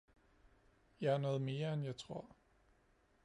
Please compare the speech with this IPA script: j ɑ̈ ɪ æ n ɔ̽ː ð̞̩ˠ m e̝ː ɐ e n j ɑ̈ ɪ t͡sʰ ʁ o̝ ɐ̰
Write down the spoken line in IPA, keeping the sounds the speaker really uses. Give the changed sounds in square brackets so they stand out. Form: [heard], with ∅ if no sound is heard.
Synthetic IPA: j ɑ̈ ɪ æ n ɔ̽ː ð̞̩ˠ m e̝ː ɐ e n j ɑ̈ ɪ t͡sʰ ʁ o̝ ɐ̰